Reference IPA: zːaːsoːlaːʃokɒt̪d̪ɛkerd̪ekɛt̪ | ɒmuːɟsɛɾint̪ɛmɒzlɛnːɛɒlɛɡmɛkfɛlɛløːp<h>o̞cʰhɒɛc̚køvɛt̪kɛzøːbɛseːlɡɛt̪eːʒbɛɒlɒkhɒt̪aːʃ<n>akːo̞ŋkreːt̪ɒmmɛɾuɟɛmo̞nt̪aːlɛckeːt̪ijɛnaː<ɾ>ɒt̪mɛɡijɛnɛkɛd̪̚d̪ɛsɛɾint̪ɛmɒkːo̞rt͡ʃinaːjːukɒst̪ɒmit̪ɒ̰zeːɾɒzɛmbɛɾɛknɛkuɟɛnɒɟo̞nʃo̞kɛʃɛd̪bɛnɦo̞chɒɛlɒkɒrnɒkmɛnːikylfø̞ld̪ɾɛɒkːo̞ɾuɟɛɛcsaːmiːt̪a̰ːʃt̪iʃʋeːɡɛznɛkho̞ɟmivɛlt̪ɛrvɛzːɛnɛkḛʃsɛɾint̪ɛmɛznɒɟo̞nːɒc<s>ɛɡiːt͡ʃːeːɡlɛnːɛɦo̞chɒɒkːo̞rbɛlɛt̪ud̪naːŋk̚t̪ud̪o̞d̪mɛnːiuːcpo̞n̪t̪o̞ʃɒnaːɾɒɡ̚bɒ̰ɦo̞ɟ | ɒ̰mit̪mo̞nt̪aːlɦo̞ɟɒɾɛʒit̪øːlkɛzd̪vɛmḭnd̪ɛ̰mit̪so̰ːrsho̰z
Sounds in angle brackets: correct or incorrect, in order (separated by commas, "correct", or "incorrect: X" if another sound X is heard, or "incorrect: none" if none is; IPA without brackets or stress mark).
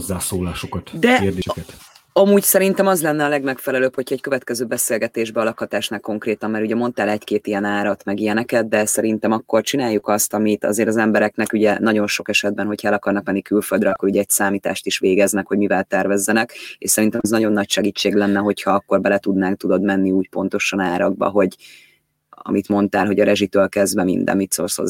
correct, correct, correct, incorrect: ʃ